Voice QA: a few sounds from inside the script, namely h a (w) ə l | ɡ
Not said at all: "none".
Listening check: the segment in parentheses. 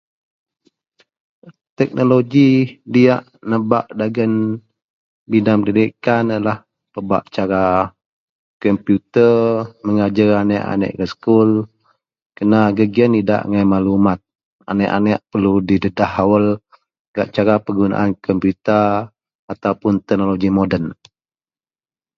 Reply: w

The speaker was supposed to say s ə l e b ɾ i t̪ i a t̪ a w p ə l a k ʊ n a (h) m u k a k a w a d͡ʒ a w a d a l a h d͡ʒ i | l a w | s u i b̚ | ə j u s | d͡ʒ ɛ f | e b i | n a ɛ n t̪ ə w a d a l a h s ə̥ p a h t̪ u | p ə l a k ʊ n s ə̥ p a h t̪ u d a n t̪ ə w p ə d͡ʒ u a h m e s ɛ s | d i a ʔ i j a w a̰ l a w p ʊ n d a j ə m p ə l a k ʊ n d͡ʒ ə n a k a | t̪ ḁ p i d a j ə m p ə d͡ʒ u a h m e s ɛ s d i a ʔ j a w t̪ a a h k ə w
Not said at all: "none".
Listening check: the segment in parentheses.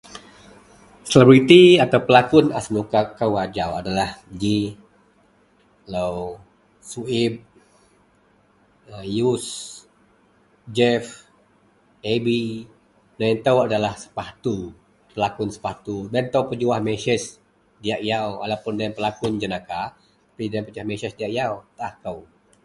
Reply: s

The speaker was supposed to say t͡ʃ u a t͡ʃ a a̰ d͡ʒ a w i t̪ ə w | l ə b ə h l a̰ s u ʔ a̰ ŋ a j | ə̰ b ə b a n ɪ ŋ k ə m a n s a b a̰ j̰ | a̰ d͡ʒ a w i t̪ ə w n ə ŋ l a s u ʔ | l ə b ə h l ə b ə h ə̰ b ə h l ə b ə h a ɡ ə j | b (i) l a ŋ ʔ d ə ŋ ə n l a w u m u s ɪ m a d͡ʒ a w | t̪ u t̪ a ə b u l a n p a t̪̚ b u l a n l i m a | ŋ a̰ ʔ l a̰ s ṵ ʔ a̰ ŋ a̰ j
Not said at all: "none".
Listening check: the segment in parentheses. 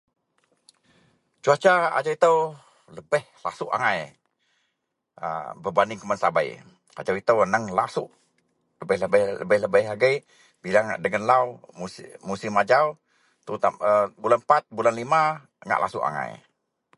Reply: i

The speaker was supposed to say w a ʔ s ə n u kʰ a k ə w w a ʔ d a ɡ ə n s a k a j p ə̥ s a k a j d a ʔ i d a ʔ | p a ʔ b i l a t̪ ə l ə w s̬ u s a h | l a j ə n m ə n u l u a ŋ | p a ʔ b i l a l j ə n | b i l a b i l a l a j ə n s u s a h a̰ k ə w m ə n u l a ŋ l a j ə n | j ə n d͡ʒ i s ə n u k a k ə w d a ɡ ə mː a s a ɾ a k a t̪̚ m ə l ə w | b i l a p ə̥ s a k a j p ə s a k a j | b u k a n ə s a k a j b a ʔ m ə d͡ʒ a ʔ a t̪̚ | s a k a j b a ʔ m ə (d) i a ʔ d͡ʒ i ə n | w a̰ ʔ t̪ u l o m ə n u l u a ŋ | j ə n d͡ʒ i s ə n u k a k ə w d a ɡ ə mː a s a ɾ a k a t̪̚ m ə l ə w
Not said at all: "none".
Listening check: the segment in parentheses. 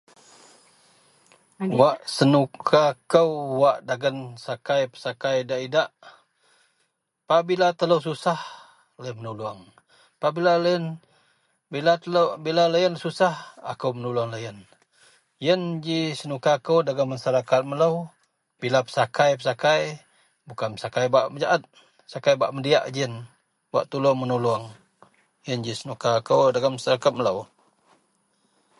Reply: d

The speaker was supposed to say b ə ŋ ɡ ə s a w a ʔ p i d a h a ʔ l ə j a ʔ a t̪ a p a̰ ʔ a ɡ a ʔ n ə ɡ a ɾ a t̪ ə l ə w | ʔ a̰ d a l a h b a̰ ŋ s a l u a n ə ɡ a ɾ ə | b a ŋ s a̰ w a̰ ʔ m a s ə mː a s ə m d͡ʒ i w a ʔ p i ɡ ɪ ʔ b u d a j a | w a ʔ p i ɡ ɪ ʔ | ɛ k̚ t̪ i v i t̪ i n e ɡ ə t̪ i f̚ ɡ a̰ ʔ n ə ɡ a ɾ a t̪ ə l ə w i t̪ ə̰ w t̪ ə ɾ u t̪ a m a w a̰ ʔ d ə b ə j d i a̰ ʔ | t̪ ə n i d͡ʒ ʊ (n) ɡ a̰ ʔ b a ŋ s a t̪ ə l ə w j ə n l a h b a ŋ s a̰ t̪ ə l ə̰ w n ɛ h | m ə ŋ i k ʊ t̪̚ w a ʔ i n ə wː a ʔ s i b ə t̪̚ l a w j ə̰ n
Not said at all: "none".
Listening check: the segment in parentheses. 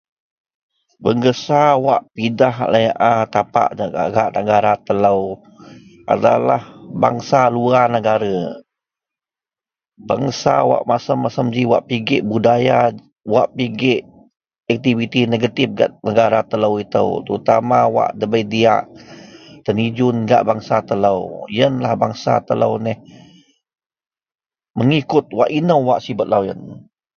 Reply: n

